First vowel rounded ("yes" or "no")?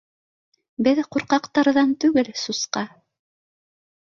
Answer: no